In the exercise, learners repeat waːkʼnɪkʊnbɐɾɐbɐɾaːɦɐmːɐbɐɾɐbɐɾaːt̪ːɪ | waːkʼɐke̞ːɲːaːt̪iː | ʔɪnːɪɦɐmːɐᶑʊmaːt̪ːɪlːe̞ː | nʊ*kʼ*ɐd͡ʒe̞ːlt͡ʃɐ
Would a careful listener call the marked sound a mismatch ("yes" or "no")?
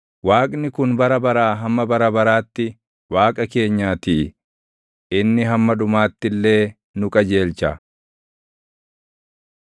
no